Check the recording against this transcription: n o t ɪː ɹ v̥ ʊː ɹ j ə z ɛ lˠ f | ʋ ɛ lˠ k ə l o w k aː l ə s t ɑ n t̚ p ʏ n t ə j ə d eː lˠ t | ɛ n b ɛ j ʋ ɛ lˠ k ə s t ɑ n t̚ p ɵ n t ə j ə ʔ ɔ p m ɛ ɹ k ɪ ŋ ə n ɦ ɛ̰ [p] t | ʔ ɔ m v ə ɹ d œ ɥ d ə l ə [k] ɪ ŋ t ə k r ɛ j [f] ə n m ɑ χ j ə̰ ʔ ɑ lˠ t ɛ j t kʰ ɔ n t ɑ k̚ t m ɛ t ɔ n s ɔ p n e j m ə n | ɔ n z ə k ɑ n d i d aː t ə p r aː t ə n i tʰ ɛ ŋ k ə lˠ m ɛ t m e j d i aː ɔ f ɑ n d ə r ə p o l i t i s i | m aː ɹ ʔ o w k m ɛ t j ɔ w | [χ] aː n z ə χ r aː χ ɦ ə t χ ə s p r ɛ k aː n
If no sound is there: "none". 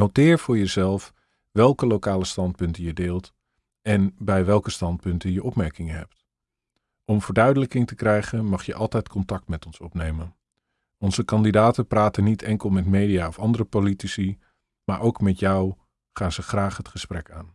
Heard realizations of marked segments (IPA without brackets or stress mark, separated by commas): p, k, χ, χ